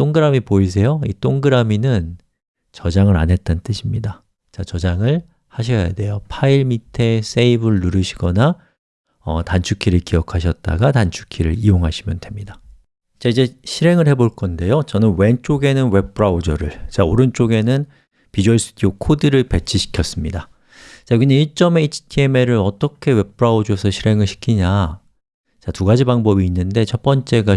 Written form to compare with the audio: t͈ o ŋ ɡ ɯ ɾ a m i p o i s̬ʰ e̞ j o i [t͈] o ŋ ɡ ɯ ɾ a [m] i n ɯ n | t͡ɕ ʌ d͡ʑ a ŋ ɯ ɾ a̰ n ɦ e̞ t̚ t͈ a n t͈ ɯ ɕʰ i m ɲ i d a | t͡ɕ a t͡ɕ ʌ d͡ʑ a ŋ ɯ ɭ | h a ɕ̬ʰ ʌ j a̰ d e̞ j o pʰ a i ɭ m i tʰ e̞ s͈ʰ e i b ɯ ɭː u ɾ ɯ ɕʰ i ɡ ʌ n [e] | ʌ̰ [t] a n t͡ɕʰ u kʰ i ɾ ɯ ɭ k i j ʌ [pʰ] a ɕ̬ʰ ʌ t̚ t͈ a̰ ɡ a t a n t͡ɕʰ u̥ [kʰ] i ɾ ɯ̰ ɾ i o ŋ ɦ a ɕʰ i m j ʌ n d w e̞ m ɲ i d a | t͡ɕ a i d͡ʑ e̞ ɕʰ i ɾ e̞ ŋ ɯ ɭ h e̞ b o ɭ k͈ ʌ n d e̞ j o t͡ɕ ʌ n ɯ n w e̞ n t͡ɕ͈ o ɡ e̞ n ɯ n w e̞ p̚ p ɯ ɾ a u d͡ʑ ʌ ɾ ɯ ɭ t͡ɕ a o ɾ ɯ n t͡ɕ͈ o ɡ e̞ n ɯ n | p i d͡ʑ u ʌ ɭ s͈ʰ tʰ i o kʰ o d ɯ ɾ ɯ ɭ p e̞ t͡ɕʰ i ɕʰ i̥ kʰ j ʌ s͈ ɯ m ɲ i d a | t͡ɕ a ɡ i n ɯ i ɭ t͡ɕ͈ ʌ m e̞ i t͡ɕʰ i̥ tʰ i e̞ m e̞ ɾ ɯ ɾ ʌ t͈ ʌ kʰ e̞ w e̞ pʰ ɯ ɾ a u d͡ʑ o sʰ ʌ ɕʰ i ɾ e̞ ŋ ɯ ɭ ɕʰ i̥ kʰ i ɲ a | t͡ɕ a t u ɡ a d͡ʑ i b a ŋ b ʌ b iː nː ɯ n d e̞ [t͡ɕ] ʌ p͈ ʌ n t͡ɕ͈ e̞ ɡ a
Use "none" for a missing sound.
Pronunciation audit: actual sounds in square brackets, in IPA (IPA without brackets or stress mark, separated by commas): t͈, m, a, t, kʰ, kʰ, t͡ɕʰ